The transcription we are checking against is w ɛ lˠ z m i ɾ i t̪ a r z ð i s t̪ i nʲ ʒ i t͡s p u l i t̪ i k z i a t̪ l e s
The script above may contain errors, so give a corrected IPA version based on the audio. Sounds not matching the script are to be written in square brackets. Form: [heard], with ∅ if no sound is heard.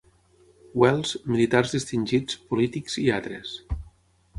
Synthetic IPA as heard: w ɛ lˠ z m i [l] i t̪ a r z ð i s t̪ i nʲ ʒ i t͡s p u l i t̪ i k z i a t̪ [ɾ] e s